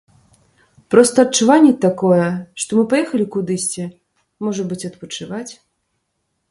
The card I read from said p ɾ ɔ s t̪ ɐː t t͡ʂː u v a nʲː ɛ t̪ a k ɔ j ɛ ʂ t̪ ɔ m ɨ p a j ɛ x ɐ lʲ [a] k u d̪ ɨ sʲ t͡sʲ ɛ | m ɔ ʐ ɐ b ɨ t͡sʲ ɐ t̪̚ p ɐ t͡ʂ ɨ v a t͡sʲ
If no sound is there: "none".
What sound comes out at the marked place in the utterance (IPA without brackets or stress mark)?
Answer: i